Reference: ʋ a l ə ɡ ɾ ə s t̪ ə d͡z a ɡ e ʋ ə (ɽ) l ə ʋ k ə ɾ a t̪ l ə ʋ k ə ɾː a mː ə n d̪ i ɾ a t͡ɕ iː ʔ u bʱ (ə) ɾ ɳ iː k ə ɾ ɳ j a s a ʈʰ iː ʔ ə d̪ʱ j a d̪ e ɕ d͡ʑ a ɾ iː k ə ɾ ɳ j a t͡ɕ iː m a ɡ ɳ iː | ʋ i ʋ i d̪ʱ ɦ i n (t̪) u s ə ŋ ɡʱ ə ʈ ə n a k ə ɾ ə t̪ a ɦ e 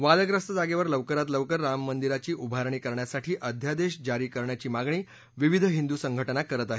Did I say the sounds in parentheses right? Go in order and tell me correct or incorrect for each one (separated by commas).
incorrect, incorrect, incorrect